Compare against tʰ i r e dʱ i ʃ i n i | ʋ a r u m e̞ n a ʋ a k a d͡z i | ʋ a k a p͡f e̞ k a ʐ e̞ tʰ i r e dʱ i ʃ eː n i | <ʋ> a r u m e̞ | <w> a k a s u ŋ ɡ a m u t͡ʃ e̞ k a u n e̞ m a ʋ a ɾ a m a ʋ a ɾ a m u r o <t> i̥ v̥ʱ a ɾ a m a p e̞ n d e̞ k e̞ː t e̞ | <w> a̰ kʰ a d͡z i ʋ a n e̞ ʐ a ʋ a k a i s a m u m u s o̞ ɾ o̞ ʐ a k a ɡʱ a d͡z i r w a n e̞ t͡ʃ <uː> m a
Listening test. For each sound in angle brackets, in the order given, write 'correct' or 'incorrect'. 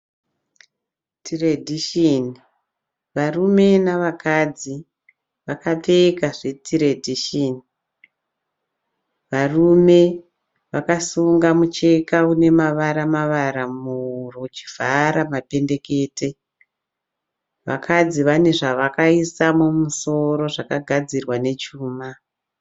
correct, incorrect, incorrect, incorrect, correct

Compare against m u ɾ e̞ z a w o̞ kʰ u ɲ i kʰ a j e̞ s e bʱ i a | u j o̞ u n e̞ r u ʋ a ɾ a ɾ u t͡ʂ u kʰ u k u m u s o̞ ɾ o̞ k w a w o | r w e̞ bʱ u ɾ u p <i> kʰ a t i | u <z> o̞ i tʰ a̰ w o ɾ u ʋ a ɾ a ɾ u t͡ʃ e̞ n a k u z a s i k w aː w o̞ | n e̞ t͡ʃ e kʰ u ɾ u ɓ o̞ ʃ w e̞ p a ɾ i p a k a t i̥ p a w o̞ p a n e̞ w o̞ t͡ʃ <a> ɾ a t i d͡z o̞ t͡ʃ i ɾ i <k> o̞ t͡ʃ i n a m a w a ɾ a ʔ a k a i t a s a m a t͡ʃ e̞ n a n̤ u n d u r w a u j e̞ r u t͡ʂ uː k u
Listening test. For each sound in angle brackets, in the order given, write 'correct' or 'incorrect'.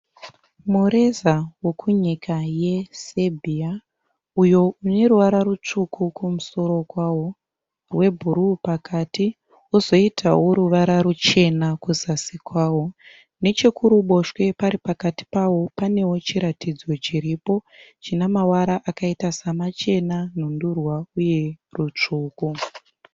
incorrect, correct, incorrect, incorrect

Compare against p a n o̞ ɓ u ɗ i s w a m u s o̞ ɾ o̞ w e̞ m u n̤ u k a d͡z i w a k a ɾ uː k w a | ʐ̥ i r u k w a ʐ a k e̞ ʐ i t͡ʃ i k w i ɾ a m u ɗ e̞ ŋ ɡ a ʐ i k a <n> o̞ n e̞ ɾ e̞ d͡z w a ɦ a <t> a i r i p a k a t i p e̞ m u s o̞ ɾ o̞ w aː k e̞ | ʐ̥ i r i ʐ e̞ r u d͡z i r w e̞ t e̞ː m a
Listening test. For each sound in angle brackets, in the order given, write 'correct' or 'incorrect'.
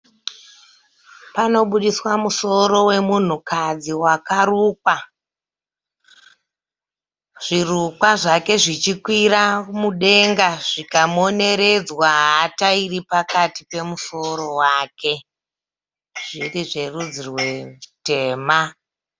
incorrect, correct

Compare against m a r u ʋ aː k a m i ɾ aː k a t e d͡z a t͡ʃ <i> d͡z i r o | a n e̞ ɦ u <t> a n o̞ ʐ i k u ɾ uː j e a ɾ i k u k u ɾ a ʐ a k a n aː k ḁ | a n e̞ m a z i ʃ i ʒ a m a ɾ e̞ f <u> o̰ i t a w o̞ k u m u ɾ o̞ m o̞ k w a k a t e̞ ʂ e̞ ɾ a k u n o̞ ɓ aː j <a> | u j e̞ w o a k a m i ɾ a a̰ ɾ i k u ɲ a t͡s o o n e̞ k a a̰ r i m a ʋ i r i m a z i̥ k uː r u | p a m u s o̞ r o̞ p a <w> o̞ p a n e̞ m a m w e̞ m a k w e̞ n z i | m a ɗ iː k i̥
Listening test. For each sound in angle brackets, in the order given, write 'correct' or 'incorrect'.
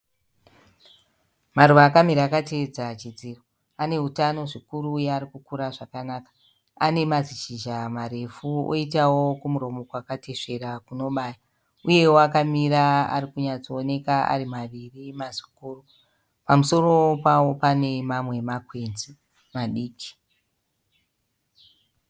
correct, correct, correct, correct, correct

